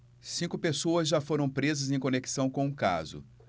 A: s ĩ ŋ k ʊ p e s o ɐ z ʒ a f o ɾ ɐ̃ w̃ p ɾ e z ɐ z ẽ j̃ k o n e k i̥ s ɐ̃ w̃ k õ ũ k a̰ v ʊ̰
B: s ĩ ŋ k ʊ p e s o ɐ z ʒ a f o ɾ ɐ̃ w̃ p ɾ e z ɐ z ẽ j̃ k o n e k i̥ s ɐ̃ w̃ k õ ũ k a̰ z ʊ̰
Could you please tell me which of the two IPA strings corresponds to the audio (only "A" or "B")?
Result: B